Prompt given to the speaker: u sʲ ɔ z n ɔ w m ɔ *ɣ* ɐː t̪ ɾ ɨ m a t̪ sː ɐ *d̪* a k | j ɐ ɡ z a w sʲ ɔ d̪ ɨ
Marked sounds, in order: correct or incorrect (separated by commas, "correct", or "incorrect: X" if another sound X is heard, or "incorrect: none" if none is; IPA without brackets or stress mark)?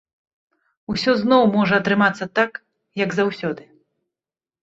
incorrect: ʐ, incorrect: t̪